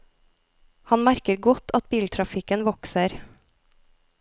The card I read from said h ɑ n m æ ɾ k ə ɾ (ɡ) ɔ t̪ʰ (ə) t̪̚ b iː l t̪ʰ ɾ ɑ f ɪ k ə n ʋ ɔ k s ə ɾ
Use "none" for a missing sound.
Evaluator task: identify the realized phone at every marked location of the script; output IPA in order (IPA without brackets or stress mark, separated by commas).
ɡ, ɑ